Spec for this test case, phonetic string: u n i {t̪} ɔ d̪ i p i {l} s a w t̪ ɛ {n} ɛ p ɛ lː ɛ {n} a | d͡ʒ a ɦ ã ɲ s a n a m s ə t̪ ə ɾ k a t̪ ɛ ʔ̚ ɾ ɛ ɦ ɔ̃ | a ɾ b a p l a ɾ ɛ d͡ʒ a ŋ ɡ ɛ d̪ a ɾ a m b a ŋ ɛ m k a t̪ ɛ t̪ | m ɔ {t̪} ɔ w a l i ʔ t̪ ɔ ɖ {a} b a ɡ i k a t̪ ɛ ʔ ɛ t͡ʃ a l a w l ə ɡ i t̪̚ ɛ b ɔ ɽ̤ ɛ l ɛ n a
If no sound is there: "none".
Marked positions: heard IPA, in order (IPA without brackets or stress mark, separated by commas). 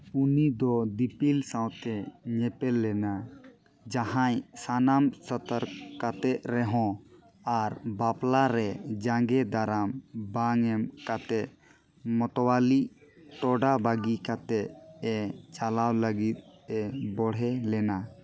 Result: d̪, l, ɲ, n, t̪, a